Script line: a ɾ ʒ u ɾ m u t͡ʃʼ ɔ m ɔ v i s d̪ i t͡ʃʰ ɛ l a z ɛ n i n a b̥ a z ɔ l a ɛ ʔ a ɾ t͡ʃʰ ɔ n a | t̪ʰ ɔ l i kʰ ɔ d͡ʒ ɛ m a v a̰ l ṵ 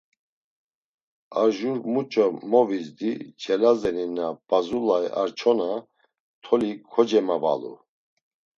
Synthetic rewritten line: a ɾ ʒ u ɾ m u t͡ʃʼ ɔ m ɔ v i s d̪ i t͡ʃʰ ɛ l a z ɛ n i n a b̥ a z u l a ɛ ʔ a ɾ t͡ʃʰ ɔ n a | t̪ʰ ɔ l i kʰ ɔ d͡ʒ ɛ m a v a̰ l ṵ